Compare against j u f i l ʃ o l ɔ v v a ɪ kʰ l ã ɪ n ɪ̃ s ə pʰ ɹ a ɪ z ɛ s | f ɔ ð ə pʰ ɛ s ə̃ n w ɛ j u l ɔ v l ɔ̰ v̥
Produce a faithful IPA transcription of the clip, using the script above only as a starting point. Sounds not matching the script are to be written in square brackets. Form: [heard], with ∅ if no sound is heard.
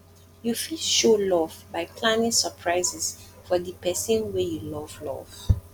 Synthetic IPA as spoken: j u f i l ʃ o l ɔ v [b] a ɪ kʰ l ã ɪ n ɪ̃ s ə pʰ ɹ a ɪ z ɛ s | f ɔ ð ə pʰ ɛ s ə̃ n w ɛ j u l ɔ v l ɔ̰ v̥